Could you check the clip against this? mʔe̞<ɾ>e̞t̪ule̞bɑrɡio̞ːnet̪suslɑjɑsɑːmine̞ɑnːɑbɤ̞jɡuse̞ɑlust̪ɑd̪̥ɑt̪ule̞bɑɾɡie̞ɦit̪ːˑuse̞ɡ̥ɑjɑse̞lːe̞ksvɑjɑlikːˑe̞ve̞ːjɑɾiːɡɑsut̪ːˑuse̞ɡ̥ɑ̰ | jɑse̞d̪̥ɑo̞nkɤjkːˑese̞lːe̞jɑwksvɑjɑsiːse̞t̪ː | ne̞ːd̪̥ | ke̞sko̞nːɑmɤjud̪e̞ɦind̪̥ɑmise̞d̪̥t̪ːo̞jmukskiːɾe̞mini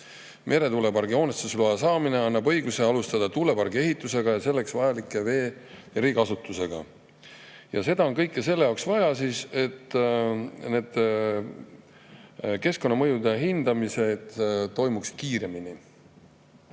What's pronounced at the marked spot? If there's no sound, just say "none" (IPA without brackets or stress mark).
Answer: ɾ